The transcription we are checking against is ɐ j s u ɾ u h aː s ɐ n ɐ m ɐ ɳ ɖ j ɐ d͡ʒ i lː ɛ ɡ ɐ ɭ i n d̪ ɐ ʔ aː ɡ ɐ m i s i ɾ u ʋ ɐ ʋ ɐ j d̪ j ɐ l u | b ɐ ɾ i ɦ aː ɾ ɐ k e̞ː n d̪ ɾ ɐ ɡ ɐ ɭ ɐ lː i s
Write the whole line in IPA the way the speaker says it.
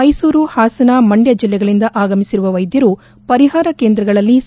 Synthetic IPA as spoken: ɐ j s uː ɾ u h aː s ɐ n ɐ m ɐ ɳ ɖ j ɐ d͡ʒ i lː ɛ ɡ ɐ ɭ i n d̪ ɐ ʔ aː ɡ ɐ m i s i ɾ u ʋ ɐ ʋ ɐ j d̪ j ɐ ɾ u | p ɐ ɾ i ɦ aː ɾ ɐ k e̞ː n d̪ ɾ ɐ ɡ ɐ ɭ ɐ lː i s